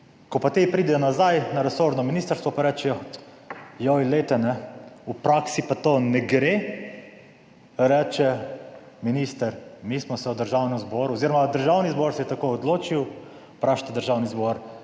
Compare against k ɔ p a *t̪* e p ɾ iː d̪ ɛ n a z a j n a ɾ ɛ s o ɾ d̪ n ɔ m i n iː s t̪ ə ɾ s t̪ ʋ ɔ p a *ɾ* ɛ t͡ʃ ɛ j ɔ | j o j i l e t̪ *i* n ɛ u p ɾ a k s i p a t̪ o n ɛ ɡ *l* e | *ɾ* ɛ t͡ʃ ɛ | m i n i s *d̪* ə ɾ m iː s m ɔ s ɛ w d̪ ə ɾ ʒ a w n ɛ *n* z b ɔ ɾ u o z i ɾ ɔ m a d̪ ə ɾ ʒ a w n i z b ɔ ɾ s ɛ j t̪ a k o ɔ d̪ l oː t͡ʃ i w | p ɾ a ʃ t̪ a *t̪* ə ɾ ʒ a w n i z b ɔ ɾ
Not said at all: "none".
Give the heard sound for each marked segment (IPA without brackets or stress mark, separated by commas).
t̪, ɾ, ɛ, ɾ, ɾ, t̪, m, d̪